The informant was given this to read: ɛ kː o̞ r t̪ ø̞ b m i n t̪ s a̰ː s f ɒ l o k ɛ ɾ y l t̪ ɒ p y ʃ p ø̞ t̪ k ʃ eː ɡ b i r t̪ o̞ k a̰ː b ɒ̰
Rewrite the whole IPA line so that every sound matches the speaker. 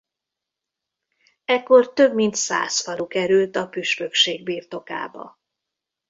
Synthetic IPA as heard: ɛ kː o̞ r t̪ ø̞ b m i n t̪ s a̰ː s f ɒ l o k ɛ ɾ y l t̪ ɒ p y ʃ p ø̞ k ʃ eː ɡ b iː r t̪ o̞ k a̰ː b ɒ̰